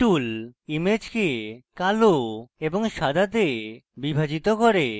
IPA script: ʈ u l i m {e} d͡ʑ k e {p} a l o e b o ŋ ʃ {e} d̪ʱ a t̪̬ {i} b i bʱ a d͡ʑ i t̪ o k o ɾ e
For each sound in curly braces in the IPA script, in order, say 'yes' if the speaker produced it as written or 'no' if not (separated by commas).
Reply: yes, no, no, no